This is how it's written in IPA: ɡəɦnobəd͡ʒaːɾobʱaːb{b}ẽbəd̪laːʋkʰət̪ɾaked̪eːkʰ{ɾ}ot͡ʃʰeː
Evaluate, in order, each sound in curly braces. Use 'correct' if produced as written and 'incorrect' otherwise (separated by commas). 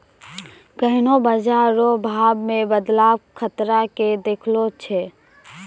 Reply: incorrect, incorrect